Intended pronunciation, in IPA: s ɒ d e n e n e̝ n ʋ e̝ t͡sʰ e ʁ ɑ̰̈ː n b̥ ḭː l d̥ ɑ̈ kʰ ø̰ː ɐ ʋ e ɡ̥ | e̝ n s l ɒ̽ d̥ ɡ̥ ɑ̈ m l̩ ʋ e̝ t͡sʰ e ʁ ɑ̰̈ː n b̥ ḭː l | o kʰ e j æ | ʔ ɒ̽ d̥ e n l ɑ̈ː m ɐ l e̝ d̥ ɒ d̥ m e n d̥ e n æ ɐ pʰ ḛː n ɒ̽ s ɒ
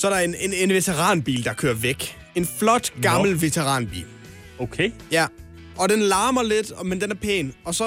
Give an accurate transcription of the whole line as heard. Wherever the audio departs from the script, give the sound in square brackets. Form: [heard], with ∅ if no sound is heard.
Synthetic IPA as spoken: s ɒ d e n e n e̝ n ʋ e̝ t͡sʰ e ʁ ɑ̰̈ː n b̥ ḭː l d̥ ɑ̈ kʰ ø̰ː ɐ ʋ e ɡ̥ | e̝ n [f] l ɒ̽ d̥ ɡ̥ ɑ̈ m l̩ ʋ e̝ t͡sʰ e ʁ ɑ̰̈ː n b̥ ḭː l | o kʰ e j æ | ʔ ɒ̽ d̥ e n l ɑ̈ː m ɐ l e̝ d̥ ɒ [∅] m e n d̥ e n æ ɐ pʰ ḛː n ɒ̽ s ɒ